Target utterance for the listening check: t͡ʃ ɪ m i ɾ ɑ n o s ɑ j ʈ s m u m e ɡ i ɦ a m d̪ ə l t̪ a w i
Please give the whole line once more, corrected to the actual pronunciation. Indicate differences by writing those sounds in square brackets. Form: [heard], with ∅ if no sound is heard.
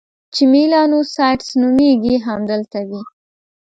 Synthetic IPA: t͡ʃ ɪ m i [l] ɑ n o s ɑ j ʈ s [n] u m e ɡ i ɦ a m d̪ ə l t̪ a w i

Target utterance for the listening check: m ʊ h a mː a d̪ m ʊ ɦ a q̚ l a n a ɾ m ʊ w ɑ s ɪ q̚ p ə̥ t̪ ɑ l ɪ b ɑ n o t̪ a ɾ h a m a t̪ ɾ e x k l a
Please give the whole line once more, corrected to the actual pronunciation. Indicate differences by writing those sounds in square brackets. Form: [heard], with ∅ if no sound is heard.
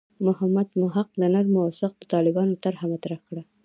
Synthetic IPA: m ʊ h a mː a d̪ m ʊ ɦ a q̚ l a n a ɾ m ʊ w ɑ s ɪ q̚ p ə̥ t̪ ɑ l ɪ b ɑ n o t̪ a ɾ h a m a t̪ ɾ [a] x k [ɽ] a

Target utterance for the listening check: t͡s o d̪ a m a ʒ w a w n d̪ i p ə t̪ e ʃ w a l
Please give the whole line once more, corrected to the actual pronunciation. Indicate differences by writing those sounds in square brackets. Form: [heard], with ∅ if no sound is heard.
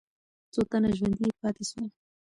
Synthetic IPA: t͡s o [t̪] a [n] a ʒ w a [∅] n d̪ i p [ɑ] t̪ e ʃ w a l

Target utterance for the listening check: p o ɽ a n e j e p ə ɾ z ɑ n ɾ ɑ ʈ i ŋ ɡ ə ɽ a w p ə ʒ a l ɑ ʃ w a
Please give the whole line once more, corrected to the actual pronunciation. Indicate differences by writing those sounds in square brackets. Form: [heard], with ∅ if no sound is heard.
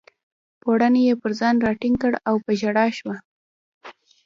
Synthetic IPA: p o ɽ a n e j e p ə ɾ z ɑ n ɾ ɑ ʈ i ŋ [k] ə ɽ a w p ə ʒ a [ɽ] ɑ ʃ w a

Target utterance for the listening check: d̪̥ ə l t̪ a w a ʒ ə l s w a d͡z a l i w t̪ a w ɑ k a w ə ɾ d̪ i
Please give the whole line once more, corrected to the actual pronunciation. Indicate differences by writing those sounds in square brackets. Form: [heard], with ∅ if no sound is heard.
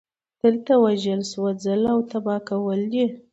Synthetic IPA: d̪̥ ə l t̪ a w a ʒ ə l s w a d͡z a l [a] w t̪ a [b] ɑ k a w ə [l] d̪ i

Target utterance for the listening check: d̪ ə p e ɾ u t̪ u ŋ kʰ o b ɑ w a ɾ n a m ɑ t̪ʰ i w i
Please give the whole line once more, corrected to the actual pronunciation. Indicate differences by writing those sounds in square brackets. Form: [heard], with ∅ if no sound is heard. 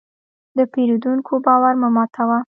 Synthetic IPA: d̪ ə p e ɾ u [d̪] u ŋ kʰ o b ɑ w a ɾ [m] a m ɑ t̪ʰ [a] w [a]

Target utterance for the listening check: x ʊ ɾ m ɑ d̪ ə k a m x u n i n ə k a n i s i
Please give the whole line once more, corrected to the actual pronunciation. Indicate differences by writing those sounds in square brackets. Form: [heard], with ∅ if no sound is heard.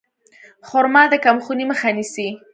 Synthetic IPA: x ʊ ɾ m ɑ d̪ ə k a m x u n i [m] ə [x] a n i s i

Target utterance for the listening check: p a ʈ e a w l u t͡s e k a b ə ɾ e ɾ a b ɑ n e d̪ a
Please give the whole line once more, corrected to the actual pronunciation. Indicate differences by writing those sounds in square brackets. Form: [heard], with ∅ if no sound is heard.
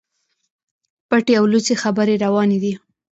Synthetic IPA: p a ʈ e a w l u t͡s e [x] a b ə ɾ e ɾ a [w] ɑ n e d̪ [i]

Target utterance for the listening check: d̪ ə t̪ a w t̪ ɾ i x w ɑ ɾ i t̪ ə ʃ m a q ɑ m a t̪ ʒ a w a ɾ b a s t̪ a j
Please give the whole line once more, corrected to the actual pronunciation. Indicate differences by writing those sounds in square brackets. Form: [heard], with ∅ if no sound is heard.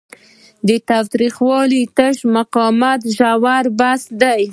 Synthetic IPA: d̪ ə t̪ a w t̪ ɾ i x w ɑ [l] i t̪ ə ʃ m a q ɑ m a t̪ ʒ a w a ɾ b a s [d̪] a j

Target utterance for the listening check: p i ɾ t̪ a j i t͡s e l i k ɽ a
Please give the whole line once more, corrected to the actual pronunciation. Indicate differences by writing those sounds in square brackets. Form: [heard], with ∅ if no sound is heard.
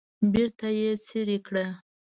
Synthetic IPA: [b] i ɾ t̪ a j [e] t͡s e [ɾ] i k ɽ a

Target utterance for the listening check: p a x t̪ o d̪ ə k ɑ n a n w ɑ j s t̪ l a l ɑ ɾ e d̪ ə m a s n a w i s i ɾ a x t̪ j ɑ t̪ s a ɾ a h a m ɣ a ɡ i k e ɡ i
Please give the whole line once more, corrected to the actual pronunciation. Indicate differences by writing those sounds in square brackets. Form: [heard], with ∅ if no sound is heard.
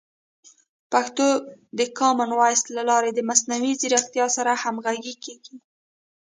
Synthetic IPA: p a x t̪ o d̪ ə k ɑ [m] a n w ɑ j s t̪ l a l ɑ ɾ e d̪ ə m a s n a w i [z] i ɾ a x t̪ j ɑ [∅] s a ɾ a h a m ɣ a ɡ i k e ɡ i

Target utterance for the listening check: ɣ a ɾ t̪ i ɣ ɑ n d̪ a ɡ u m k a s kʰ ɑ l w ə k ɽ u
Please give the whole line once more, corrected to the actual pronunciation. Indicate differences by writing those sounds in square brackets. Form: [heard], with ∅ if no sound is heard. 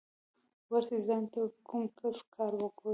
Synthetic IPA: [w] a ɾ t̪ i [z] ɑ n [t̪] a [k] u m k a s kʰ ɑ [ɾ] w ə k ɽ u

